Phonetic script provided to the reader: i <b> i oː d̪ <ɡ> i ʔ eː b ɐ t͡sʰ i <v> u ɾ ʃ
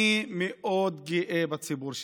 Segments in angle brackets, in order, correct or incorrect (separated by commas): incorrect, correct, incorrect